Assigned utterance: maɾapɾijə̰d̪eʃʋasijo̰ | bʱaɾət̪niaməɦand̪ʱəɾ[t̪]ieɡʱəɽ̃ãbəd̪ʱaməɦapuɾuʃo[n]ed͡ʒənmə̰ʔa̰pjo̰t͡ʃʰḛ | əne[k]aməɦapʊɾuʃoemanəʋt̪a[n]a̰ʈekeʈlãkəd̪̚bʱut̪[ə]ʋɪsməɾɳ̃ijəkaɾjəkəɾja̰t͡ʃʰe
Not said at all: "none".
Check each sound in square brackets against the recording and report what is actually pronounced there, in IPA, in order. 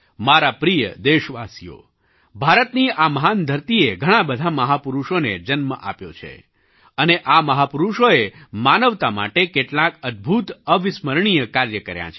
t̪, n, ʔ, m, ə

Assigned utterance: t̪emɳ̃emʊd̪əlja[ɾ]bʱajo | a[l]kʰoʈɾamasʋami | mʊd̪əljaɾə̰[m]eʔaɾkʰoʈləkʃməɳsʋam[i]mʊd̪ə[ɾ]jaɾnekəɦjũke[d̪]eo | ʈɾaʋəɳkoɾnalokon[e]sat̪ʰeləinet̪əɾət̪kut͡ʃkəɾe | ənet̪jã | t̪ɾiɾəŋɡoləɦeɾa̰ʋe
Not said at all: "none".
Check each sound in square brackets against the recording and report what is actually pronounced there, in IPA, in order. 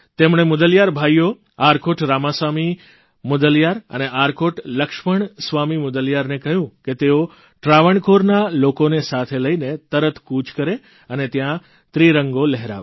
ɾ, ɾ, n, i, l, t̪, e

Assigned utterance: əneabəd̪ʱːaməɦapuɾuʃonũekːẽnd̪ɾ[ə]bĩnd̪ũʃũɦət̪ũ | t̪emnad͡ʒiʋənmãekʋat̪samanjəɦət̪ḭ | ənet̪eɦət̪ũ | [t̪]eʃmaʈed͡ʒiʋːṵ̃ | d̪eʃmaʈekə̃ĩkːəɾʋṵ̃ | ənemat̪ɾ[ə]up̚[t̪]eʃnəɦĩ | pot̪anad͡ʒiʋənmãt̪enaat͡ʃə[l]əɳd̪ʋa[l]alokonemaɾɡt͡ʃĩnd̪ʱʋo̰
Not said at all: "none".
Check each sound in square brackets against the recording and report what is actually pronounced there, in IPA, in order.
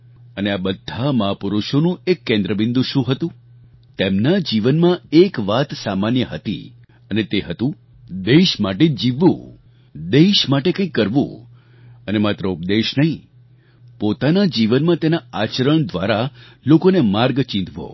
ə, d̪, ə, d̪, ɾ, ɾ

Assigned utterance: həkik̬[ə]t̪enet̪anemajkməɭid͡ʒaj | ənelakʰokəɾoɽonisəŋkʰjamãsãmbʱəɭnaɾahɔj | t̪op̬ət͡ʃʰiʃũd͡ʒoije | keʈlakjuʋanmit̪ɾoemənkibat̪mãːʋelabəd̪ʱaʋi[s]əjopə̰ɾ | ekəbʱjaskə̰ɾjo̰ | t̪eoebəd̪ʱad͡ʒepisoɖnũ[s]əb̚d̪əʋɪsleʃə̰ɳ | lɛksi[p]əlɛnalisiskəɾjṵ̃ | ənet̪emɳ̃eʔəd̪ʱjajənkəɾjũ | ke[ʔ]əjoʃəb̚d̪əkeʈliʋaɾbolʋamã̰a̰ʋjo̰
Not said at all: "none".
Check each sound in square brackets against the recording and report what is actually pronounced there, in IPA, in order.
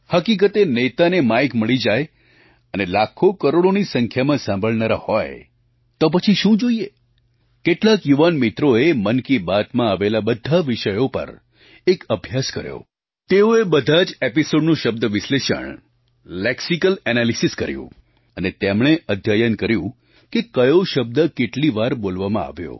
ə, ʃ, ʃ, k, k

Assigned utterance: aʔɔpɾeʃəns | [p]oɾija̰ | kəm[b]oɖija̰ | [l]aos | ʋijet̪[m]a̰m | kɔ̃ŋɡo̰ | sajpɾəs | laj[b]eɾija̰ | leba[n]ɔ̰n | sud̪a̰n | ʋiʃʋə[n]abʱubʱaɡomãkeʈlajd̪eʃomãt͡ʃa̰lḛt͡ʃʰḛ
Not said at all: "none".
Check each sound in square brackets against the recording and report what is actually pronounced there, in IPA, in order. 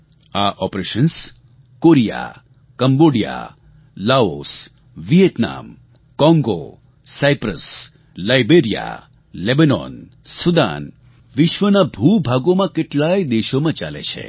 k, b, l, n, b, n, n

